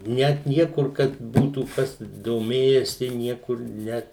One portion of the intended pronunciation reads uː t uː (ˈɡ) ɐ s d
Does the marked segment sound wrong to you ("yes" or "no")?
yes